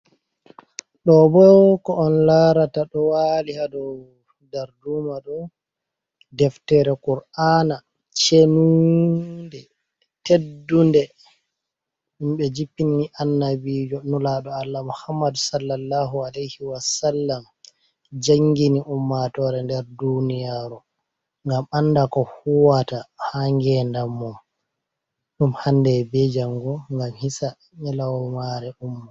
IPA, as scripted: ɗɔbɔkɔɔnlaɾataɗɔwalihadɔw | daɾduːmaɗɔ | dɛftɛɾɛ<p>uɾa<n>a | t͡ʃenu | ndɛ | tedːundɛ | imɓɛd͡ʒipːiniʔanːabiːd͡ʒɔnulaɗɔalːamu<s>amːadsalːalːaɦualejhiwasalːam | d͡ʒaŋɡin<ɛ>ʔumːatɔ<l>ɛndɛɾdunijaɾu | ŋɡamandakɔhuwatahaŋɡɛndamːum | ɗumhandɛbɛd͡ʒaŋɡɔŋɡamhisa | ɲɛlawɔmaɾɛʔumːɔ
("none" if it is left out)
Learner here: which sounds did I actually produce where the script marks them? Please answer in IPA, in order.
k, n, h, i, ɾ

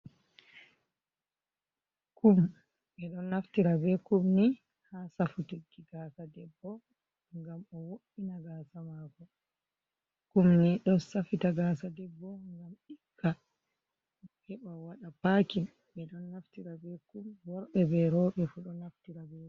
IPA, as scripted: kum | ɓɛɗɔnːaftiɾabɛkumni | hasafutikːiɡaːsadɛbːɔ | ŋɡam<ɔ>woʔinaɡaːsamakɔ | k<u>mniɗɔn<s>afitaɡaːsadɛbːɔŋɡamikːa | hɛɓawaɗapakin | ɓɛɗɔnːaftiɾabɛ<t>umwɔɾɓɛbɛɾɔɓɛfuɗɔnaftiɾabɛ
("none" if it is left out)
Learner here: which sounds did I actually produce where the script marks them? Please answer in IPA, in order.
ɔ, u, s, k

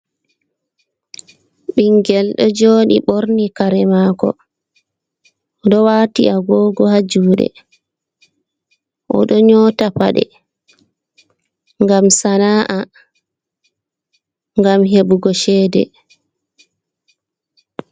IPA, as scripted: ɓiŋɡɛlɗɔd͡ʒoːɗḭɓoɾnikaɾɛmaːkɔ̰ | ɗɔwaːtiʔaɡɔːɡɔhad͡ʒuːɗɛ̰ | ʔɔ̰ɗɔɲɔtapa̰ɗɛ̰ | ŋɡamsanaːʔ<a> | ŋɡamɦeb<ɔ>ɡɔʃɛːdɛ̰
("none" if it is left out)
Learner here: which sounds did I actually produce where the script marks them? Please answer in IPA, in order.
a, u

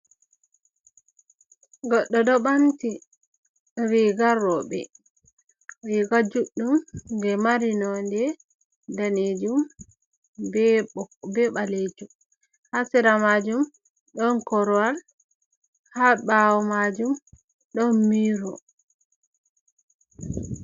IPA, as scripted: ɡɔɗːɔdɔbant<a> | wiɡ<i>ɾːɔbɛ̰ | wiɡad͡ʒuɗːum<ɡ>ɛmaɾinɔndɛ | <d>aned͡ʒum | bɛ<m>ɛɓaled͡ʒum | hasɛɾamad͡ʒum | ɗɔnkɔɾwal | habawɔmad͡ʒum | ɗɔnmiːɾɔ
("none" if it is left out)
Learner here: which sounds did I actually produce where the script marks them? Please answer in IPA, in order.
i, a, ɡ, d, b

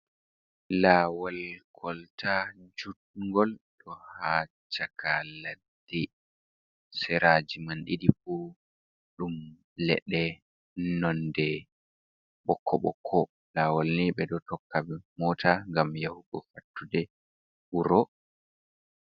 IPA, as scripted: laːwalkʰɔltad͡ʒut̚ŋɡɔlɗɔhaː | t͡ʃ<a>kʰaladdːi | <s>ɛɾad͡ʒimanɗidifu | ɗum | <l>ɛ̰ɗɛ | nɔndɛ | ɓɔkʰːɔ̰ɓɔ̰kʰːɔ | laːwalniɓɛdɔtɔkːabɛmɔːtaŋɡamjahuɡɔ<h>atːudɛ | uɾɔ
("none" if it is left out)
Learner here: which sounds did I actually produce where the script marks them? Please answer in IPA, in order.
a, s, l, f

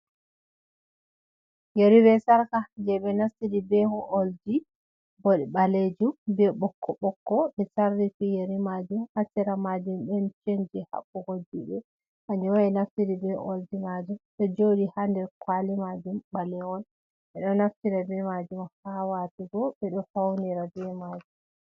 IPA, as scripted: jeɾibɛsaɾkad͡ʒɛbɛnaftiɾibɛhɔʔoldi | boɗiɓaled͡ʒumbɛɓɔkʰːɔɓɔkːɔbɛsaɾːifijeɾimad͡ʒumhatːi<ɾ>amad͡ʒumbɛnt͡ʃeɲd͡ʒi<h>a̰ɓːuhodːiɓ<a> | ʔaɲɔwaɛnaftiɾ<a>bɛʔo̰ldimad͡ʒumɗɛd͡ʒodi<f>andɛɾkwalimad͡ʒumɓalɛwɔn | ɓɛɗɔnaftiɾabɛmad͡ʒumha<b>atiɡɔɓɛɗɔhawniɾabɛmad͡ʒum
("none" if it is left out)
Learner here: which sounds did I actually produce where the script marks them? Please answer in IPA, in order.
ɾ, h, ɛ, i, h, w

